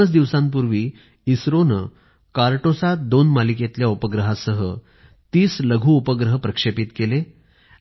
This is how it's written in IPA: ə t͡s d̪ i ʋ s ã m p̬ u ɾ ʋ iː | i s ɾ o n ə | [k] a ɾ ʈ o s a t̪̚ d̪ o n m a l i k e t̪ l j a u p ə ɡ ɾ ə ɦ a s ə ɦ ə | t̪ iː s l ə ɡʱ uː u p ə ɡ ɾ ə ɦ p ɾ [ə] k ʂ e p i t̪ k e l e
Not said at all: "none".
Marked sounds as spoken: k, ə

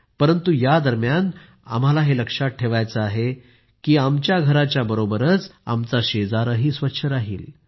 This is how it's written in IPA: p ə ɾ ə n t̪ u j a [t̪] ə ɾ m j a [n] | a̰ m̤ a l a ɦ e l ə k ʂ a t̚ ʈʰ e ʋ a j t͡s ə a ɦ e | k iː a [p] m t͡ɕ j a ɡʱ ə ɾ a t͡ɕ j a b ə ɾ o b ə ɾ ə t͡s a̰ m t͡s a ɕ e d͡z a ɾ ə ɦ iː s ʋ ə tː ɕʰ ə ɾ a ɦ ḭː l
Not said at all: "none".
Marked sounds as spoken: d̪, n, none

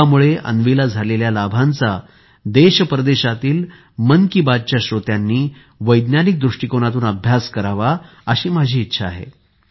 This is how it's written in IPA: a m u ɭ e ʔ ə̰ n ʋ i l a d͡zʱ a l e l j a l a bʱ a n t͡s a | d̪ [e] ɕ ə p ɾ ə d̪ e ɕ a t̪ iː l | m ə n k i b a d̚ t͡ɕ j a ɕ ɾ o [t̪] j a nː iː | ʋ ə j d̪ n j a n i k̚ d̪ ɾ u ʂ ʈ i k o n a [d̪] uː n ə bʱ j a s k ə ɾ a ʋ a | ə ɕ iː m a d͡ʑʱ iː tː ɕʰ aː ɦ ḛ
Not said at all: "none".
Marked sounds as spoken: e, t̪, t̪

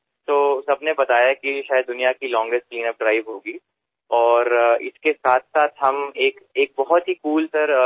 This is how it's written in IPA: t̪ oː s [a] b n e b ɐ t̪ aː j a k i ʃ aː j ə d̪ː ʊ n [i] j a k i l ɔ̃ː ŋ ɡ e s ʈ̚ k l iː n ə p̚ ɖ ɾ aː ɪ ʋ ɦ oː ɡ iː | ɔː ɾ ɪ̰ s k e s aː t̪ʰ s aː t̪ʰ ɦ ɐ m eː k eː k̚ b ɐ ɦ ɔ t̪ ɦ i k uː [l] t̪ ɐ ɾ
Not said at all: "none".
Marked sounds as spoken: ɐ, i, l

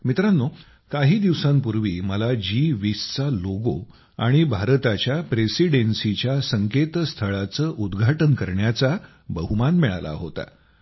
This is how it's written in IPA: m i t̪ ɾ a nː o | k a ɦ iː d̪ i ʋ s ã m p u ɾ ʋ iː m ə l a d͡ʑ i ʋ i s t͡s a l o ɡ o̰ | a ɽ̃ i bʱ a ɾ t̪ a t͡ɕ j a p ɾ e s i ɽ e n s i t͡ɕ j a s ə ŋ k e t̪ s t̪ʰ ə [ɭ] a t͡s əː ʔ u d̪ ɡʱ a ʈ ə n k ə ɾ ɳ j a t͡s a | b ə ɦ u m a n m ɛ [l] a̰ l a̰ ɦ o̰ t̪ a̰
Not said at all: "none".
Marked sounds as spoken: ɭ, ɭ

